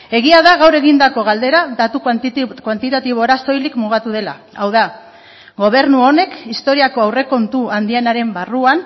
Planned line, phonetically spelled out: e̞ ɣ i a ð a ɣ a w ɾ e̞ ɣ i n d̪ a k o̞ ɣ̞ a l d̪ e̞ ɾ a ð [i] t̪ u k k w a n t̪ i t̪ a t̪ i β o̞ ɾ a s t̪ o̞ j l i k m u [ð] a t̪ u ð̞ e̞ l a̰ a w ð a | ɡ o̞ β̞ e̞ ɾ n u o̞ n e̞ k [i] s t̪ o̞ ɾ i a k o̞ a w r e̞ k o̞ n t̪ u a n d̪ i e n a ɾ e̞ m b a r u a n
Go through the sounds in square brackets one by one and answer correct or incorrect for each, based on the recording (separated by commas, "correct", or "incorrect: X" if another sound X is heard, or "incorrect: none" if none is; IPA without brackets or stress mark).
incorrect: a, incorrect: ɣ, correct